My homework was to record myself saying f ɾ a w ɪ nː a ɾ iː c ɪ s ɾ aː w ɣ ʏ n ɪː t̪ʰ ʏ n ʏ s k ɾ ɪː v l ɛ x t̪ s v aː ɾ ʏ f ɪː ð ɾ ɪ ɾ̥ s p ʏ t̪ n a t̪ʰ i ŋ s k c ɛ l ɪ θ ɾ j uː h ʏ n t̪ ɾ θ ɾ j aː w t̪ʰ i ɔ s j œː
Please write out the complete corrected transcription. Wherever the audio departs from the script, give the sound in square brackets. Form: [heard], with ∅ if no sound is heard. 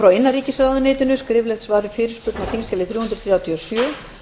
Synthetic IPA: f ɾ a w ɪ nː a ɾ iː c ɪ s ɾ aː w [ð] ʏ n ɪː [t̪] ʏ n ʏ s k ɾ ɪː v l ɛ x t̪ s v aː ɾ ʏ f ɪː [∅] ɾ ɪ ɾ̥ s p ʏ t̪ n a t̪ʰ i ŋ s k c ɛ l ɪ θ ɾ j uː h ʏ n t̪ ɾ θ ɾ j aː w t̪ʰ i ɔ s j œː